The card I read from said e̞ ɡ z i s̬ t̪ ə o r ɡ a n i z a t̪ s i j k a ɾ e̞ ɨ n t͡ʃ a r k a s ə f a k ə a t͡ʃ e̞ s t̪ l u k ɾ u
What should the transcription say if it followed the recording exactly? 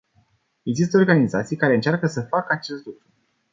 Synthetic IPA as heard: e̞ ɡ z i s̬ t̪ ə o r ɡ a n i z a t̪ s i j k a ɾ e̞ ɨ n t͡ʃ a r k ə s ə f a k ə a t͡ʃ e̞ s t̪ l u k ɾ u